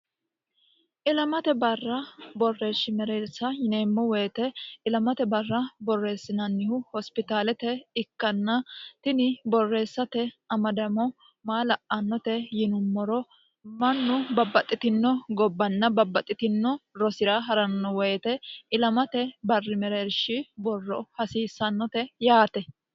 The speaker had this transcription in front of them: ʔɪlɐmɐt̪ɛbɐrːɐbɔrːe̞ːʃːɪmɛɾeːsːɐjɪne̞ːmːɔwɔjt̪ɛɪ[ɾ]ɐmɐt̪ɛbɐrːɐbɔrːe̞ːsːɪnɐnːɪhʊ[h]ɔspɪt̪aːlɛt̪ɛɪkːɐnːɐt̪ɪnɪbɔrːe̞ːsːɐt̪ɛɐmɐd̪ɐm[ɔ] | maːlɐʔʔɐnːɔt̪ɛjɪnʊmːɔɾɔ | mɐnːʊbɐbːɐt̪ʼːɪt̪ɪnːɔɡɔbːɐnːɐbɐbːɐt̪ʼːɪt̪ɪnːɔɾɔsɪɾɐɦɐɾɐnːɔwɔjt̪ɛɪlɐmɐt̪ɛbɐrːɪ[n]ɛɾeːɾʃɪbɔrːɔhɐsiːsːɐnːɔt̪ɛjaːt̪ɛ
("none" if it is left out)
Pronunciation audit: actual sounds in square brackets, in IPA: l, h, ɔ, m

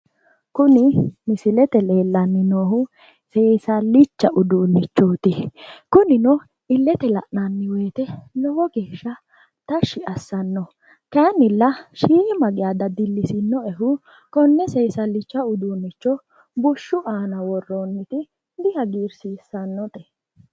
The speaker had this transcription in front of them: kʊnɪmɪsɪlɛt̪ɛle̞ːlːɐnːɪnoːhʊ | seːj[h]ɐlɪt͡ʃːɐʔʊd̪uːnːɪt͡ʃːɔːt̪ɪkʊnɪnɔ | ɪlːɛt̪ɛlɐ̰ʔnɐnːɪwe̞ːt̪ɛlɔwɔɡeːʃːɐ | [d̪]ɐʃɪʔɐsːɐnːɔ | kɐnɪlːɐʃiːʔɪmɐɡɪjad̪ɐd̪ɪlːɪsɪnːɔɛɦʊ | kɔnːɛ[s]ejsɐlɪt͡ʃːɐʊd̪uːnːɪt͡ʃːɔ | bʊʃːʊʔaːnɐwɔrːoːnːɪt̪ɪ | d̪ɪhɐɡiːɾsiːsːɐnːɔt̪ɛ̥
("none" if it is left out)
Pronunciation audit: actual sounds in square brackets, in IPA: s, t̪, s

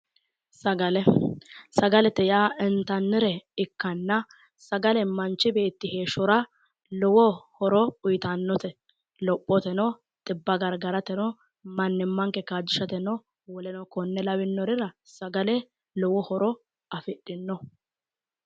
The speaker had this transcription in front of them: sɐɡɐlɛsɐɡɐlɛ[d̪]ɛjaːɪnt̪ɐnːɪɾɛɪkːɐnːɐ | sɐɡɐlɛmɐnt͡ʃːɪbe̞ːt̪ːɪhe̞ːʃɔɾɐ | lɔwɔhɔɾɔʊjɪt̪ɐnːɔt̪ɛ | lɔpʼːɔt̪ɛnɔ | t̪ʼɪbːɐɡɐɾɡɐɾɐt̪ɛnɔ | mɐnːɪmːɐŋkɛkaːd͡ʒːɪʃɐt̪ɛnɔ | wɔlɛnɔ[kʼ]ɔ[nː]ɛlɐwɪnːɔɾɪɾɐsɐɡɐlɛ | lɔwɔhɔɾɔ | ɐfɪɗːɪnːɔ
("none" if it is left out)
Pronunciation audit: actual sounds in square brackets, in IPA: t̪, k, nː

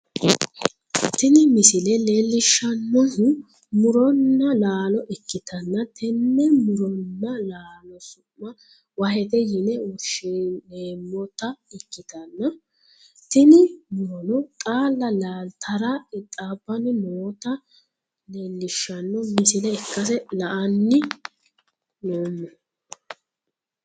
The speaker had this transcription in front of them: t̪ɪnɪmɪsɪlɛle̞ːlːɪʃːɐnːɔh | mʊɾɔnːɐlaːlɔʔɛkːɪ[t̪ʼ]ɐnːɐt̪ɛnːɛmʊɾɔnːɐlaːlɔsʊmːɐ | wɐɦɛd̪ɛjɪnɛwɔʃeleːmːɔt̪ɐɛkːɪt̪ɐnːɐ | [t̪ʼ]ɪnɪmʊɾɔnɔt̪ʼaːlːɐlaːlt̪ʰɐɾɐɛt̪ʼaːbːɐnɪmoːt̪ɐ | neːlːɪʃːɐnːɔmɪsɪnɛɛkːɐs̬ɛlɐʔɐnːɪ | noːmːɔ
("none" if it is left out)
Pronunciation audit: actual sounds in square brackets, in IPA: t̪, t̪

